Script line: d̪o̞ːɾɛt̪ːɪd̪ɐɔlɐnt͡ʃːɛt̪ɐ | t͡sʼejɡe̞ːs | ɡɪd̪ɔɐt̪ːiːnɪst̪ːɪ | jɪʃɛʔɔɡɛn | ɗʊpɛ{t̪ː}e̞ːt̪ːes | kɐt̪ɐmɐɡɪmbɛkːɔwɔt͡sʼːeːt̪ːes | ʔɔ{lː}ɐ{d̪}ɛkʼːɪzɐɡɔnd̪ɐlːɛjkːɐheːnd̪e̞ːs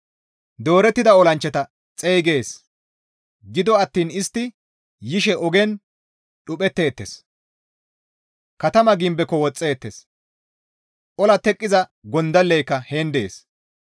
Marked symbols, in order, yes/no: yes, no, no

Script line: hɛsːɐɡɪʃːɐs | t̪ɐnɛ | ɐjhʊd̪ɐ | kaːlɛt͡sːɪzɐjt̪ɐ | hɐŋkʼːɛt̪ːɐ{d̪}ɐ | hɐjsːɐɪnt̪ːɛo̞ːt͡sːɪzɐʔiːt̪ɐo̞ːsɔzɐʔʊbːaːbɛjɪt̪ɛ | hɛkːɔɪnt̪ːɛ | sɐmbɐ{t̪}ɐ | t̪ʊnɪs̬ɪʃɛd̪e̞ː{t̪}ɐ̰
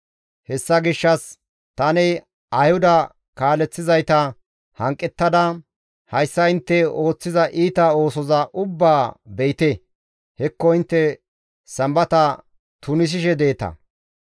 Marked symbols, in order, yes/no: yes, yes, yes

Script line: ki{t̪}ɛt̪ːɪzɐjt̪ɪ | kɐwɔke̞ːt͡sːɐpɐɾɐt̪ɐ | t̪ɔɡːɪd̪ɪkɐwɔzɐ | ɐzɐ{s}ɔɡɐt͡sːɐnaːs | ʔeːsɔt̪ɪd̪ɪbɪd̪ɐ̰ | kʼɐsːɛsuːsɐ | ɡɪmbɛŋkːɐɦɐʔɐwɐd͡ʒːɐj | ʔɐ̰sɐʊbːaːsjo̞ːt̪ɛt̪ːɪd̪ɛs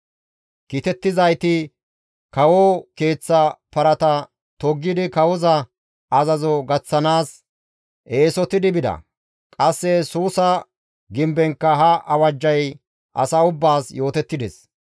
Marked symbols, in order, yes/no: yes, no

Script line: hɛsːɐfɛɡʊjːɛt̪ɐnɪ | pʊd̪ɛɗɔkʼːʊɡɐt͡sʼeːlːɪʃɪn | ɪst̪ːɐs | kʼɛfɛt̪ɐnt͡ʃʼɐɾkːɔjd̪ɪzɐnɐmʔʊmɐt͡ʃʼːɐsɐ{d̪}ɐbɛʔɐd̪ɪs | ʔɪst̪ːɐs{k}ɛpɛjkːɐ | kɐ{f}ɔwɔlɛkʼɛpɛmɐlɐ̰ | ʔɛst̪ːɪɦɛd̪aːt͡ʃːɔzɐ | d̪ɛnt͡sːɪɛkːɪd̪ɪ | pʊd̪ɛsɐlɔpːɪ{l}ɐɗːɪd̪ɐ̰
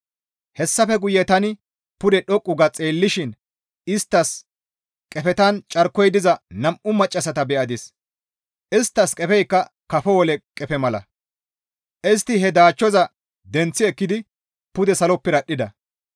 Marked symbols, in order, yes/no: no, no, yes, no

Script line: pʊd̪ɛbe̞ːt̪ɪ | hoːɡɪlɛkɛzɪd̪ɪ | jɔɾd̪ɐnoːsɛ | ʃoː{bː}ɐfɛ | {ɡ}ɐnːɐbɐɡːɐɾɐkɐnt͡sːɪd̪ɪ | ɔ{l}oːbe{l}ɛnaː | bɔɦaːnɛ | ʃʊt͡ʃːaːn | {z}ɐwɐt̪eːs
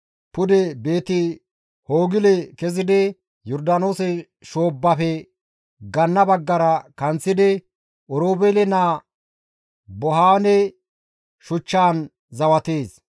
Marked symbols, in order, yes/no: yes, yes, no, yes, yes

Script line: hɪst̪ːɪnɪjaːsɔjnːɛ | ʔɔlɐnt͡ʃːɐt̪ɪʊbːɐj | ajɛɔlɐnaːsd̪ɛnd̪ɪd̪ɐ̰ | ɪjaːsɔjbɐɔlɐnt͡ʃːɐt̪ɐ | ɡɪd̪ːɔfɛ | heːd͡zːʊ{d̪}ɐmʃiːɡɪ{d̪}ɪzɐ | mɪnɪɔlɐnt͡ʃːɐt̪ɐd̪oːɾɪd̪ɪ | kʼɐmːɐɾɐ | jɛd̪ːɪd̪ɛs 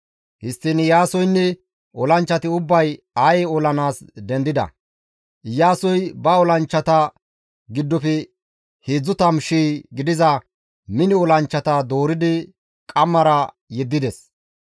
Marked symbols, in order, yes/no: no, yes

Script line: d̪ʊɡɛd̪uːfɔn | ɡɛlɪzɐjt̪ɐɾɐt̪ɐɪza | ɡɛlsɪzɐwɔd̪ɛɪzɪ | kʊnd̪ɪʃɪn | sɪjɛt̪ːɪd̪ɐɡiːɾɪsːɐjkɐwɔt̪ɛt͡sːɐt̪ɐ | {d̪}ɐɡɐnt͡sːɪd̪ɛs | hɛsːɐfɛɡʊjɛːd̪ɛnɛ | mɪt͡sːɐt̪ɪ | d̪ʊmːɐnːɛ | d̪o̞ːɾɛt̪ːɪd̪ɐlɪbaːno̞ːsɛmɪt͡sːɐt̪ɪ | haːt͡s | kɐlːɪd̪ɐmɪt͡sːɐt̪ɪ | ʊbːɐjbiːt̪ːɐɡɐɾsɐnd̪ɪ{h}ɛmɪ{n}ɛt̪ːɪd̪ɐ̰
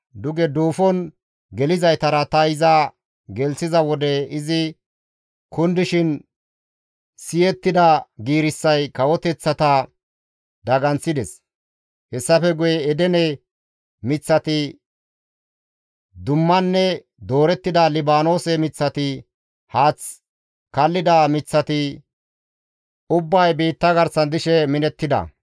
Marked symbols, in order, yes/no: yes, no, yes

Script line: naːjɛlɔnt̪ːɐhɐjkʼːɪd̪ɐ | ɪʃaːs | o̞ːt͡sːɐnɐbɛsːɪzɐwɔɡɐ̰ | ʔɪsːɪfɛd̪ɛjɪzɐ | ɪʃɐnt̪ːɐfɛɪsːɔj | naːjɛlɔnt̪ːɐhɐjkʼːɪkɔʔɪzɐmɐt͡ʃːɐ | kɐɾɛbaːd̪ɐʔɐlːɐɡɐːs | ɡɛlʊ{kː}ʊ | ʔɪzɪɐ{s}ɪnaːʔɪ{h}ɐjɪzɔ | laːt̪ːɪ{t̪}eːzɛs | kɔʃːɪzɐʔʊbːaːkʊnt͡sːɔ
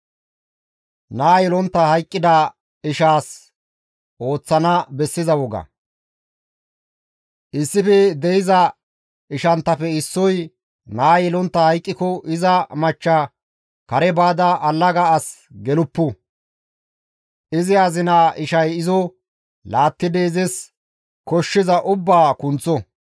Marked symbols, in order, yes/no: no, no, no, no

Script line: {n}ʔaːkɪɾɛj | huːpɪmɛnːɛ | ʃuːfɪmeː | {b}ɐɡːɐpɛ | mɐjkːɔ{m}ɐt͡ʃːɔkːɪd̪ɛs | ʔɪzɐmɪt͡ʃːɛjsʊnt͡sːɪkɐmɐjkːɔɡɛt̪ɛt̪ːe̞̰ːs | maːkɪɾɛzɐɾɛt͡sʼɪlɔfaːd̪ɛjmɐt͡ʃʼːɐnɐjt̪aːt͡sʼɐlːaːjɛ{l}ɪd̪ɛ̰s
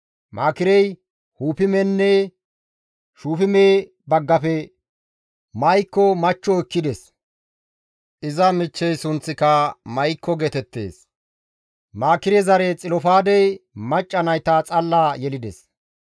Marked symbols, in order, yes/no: no, yes, yes, yes

